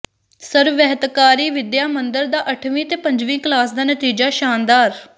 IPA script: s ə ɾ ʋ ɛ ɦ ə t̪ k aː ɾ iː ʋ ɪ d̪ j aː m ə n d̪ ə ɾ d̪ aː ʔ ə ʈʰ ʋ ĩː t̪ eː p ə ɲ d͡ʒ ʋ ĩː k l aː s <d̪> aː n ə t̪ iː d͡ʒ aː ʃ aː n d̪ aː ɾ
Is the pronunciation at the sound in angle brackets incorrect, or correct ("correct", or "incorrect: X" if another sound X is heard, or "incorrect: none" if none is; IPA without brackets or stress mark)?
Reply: correct